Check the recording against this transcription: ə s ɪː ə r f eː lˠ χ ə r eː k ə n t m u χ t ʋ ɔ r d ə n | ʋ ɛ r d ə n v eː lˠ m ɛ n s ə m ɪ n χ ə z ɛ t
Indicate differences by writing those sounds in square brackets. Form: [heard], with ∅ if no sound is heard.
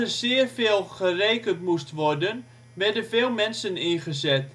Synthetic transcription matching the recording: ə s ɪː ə r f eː lˠ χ ə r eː k ə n t m u [s] t ʋ ɔ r d ə n | ʋ ɛ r d ə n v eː lˠ m ɛ n s ə [n] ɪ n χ ə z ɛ t

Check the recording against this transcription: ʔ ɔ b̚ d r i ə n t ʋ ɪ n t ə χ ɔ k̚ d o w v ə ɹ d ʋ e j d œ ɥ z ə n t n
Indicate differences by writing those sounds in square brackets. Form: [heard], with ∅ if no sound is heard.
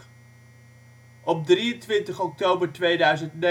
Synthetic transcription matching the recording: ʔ ɔ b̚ d r i ə n t ʋ ɪ n t ə χ ɔ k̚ [t] o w [b] ə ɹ [t] ʋ e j d œ ɥ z ə n t n

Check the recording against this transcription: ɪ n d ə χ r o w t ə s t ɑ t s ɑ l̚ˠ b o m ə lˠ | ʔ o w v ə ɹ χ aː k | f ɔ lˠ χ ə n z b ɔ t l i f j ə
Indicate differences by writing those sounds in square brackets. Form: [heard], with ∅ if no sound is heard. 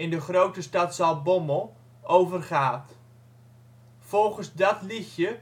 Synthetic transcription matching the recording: ɪ n d ə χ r o w t ə s t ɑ t s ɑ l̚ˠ b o m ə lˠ | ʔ o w v ə [r] χ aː [t] | f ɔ lˠ χ ə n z [d] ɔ t l i [x] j ə

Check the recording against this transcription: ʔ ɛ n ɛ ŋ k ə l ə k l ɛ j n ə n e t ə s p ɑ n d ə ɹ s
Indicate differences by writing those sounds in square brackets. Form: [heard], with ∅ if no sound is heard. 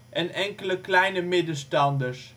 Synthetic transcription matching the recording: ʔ ɛ n ɛ ŋ k ə l ə k l ɛ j n ə [m] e [d] ə s [t] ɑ n d ə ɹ s

